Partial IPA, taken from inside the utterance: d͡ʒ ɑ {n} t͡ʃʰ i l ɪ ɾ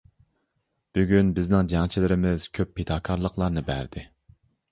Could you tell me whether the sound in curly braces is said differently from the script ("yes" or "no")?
yes